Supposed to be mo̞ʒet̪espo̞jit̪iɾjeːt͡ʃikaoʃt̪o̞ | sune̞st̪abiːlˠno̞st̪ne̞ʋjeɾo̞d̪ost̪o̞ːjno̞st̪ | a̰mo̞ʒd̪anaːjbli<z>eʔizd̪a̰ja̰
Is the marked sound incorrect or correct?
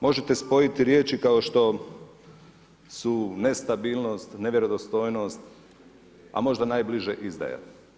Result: incorrect